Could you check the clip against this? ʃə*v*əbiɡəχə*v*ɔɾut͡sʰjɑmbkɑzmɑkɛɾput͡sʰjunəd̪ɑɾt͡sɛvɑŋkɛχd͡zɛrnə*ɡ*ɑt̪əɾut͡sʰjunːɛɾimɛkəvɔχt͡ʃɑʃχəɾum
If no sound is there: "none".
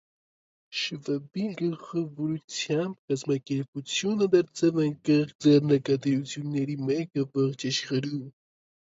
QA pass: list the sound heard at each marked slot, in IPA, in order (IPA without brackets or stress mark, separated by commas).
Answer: v, v, k